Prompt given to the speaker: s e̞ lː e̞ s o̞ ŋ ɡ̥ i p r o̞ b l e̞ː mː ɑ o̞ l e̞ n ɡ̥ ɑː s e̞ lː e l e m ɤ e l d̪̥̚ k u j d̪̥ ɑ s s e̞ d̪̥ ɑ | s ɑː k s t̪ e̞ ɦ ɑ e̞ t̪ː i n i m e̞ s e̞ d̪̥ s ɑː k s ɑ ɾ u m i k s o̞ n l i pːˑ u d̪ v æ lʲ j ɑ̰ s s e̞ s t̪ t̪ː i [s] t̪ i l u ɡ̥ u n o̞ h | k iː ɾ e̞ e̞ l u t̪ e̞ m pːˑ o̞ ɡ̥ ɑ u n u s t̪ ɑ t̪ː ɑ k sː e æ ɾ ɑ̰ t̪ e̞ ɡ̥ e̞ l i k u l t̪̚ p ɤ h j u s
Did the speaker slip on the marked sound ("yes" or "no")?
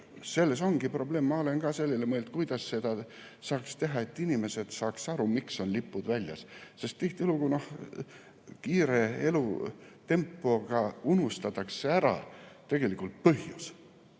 yes